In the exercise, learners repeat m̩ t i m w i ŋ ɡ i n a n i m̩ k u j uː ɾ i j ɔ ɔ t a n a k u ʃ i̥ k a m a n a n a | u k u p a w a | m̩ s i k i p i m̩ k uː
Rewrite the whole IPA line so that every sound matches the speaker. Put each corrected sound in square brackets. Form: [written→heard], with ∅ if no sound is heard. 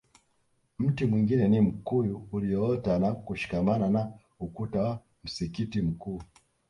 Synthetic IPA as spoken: m̩ t i m w i ŋ ɡ i n [a→ɛ] n i m̩ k u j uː [ɾ→l] i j ɔ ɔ t a n a k u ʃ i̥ k a m a n a n a | u k u [p→t] a w a | m̩ s i k i [p→t] i m̩ k uː